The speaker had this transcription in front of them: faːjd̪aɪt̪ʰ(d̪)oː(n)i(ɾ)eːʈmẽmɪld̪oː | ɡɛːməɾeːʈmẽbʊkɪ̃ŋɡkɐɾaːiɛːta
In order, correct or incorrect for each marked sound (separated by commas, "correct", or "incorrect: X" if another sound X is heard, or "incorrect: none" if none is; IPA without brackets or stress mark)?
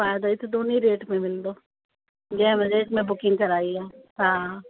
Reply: correct, correct, correct